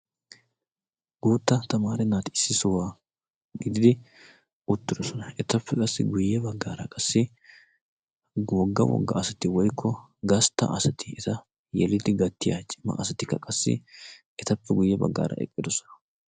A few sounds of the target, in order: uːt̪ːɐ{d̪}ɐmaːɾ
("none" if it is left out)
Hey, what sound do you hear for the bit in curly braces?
t̪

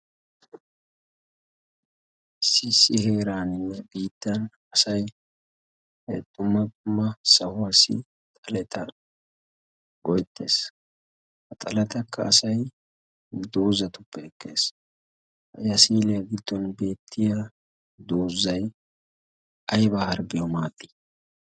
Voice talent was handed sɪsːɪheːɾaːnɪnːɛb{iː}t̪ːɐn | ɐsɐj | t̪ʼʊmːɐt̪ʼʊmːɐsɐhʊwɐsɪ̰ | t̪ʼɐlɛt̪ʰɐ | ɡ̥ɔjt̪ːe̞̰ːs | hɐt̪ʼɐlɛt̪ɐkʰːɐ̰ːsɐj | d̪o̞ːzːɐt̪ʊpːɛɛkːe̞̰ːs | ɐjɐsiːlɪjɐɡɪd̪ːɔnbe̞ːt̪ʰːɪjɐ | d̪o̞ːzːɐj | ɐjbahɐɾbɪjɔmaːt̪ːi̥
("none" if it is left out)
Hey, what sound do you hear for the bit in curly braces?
iː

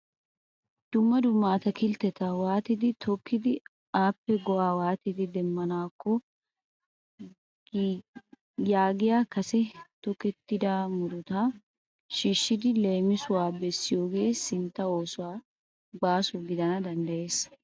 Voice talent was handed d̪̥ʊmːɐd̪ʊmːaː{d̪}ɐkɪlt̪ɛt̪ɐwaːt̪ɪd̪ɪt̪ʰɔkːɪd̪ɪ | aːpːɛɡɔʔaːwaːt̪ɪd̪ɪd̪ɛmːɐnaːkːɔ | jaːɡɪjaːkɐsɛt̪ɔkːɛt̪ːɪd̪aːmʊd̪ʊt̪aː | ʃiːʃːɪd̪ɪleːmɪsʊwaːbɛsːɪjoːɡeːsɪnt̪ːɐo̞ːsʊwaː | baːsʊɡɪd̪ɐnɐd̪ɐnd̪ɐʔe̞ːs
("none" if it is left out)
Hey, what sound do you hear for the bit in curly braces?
t̪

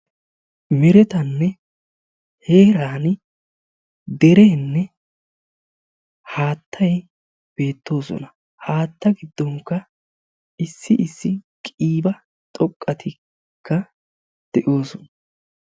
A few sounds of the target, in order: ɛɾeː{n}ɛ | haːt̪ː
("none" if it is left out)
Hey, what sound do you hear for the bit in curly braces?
nː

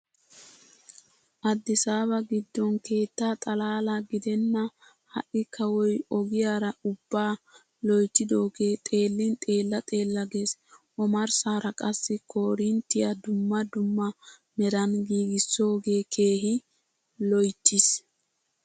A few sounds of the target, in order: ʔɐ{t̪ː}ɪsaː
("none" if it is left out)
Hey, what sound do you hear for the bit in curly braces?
d̪ː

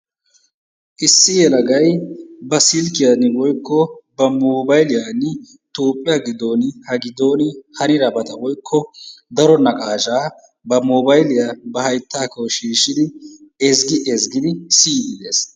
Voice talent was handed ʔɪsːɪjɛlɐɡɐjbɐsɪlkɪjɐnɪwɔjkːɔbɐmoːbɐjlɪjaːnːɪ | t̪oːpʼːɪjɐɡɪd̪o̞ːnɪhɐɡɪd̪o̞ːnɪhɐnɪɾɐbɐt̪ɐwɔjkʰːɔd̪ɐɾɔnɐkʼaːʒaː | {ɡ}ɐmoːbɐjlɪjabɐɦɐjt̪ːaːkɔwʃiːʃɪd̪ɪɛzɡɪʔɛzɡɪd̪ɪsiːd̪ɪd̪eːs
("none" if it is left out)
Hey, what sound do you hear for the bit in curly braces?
b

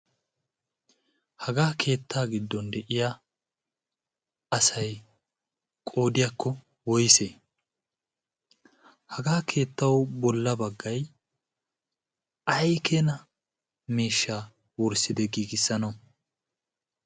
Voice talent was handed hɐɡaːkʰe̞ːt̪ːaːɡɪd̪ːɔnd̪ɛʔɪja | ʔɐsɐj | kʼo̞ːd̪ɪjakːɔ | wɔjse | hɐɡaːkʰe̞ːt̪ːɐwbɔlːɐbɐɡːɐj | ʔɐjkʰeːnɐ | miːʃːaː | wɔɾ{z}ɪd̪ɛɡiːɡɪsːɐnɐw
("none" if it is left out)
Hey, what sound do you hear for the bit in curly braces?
s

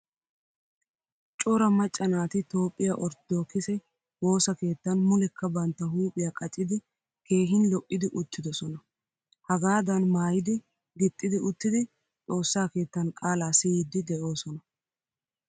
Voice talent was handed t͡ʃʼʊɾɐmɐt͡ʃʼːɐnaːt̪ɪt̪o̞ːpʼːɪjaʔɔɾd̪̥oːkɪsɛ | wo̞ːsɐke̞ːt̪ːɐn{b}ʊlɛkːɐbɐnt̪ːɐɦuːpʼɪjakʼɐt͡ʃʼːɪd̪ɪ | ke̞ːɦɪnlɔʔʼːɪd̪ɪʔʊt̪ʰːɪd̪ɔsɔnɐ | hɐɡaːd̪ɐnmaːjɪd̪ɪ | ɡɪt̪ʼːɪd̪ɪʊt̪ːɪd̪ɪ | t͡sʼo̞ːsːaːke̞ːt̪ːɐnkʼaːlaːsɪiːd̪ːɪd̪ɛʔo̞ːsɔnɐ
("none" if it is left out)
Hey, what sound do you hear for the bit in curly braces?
m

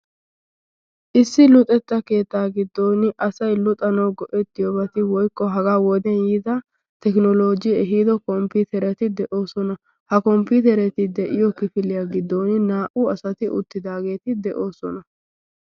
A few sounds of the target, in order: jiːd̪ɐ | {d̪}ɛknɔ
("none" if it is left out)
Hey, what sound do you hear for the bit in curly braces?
t̪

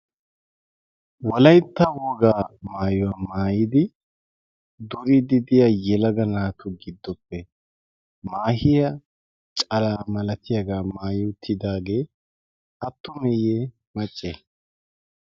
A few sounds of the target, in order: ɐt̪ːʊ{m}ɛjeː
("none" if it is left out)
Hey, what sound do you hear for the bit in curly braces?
m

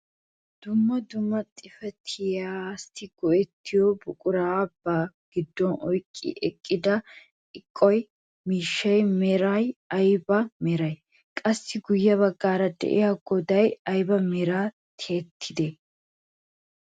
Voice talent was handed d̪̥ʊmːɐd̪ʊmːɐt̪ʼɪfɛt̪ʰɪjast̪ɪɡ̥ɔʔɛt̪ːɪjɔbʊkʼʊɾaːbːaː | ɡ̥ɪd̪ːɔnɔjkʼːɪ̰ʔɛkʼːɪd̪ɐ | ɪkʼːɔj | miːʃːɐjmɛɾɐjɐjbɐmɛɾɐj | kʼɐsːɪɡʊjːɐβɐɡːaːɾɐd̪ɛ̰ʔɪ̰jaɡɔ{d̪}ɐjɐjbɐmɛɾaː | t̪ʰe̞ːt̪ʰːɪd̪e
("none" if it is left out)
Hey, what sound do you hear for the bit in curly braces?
d̪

